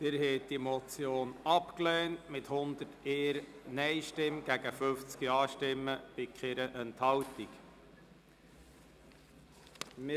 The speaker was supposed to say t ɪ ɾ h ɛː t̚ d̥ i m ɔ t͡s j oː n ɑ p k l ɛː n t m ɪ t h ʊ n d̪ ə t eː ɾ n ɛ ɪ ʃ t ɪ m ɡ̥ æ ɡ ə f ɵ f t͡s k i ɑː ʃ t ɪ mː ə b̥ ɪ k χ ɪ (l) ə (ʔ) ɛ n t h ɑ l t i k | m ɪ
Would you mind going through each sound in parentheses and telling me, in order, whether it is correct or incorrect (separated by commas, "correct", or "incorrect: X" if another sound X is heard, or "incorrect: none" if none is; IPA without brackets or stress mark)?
incorrect: ɾ, correct